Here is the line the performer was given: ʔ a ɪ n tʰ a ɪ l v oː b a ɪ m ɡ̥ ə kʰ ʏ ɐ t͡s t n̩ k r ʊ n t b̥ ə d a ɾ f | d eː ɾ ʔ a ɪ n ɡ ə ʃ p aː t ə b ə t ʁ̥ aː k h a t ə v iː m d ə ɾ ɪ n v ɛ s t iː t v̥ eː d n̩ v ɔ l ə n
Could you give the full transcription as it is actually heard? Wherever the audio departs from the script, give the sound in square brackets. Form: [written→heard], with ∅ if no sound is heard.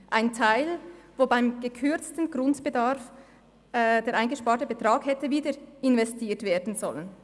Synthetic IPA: ʔ a ɪ n tʰ a ɪ l v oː b a ɪ m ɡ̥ ə kʰ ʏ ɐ t͡s t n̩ [k→ɡ] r ʊ n t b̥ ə d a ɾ f | d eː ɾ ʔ a ɪ n ɡ ə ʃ p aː t ə b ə t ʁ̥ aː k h [a→ɛ] t ə v iː [m→∅] d ə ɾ ɪ n v ɛ s t iː t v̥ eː d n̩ [v→z] ɔ l ə n